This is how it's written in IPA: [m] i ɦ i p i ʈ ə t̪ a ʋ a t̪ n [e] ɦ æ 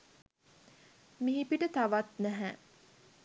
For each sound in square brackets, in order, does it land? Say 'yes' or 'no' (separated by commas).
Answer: yes, no